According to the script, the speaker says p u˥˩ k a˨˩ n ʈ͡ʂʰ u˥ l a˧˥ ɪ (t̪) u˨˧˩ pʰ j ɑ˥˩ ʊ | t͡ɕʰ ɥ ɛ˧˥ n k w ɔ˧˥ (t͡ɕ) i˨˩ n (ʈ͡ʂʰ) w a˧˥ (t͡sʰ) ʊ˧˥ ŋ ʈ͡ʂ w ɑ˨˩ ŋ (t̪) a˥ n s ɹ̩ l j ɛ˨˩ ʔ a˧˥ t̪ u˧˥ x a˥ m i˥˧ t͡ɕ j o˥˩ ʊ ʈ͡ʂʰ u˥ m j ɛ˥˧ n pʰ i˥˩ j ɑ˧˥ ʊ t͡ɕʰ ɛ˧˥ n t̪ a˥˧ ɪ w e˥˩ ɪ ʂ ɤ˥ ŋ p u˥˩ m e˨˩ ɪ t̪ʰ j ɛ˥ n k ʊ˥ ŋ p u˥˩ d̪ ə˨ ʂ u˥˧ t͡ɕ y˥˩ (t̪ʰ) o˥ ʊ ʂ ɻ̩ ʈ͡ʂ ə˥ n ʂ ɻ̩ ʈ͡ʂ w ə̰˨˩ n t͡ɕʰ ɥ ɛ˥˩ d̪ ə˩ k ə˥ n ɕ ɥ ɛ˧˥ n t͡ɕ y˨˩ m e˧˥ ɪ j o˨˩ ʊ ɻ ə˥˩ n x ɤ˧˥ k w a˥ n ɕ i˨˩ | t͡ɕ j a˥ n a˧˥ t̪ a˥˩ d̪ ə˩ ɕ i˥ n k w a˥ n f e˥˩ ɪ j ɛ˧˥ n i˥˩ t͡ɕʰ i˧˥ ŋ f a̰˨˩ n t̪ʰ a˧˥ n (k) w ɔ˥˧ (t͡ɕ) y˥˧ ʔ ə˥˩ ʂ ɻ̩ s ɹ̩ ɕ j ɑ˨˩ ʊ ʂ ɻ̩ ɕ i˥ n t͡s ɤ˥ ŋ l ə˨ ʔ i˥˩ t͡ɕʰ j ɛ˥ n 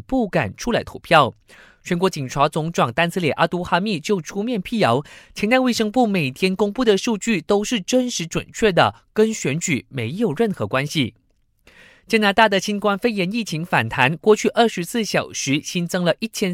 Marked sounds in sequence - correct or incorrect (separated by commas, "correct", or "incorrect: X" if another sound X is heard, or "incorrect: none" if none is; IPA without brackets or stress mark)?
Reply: incorrect: t̪ʰ, correct, correct, incorrect: t͡s, correct, incorrect: t̪, correct, incorrect: t͡ɕʰ